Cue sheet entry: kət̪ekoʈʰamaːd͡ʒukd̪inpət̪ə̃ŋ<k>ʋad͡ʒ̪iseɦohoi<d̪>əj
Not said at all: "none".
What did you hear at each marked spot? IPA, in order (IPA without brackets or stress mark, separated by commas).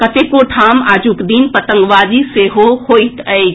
ɡ, t̪